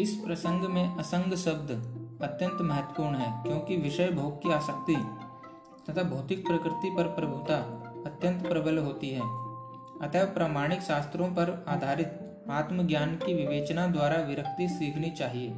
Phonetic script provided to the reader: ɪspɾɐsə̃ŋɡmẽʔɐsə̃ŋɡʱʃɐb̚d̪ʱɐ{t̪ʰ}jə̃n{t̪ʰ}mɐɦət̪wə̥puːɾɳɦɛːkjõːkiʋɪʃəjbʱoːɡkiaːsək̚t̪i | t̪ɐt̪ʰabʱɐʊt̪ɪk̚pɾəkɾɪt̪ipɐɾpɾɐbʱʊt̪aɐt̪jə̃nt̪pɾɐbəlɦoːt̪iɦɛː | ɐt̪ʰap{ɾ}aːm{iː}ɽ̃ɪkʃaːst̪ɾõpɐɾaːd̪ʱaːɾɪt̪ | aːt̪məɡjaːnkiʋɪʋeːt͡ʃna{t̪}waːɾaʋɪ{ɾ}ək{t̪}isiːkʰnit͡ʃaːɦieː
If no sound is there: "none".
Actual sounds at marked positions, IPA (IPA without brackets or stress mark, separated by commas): t̪, t̪, ɾ, aː, d̪, ɾ, t̪